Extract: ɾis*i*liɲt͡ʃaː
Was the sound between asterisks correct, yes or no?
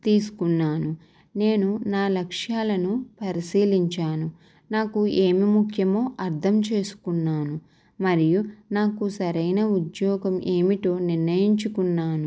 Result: no